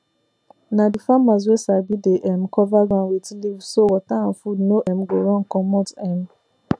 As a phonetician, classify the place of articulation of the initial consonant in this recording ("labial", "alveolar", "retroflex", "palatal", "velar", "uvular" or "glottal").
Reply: alveolar